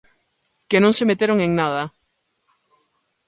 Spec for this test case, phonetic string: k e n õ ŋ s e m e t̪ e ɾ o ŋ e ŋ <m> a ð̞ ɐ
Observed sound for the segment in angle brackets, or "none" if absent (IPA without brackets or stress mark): n